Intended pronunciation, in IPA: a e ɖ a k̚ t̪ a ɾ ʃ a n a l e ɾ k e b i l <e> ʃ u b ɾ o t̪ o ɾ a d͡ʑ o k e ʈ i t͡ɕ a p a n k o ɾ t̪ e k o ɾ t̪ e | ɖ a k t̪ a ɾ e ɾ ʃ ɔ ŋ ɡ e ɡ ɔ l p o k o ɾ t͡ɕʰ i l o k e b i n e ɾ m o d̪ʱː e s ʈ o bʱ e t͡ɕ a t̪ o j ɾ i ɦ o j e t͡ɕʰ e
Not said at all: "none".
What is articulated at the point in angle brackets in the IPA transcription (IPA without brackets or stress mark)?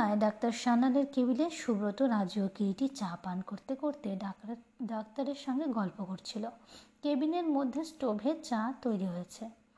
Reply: e